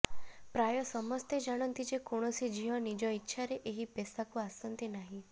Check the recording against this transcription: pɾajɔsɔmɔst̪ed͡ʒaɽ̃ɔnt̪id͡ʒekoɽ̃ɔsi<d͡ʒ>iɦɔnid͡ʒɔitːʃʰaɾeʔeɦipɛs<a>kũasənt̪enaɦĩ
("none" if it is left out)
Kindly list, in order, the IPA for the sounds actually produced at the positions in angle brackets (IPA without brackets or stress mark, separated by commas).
d͡ʒ, a